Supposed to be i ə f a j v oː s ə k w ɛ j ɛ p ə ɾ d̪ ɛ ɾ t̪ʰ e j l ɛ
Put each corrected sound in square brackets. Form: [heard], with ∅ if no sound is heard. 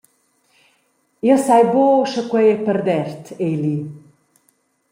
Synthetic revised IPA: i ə [s] a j [b] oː [ʃ] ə k w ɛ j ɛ p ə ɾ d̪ ɛ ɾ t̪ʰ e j l [i]